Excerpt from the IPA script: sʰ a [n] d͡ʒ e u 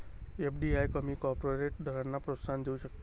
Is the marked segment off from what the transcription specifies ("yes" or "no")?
no